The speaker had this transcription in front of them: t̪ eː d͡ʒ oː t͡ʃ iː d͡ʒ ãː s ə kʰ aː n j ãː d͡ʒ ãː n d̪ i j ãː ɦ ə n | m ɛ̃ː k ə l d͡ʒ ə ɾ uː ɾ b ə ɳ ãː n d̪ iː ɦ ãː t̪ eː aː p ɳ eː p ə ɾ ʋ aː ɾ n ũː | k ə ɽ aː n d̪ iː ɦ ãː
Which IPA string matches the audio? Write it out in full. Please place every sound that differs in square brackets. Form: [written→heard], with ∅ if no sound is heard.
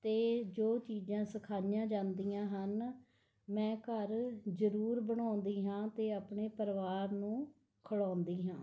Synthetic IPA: t̪ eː d͡ʒ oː t͡ʃ iː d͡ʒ ãː s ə kʰ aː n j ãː d͡ʒ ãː n d̪ i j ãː ɦ ə n | m ɛ̃ː k ə [l→ɾ] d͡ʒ ə ɾ uː ɾ b ə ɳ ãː n d̪ iː ɦ ãː t̪ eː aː p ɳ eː p ə ɾ ʋ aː ɾ n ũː | [k→kʰ] ə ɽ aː n d̪ iː ɦ ãː